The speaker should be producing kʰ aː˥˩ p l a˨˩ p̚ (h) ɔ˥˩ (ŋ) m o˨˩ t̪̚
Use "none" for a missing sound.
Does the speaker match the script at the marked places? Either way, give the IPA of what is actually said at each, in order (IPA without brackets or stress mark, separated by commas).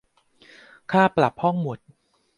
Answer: h, ŋ